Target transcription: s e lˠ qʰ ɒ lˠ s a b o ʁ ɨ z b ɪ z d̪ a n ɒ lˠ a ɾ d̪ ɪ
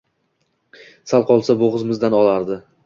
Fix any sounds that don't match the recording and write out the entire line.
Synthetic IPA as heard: s a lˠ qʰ ɒ lˠ s a b o ʁ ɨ z m ɪ z d̪ a n ɒ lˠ a ɾ d̪ ɪ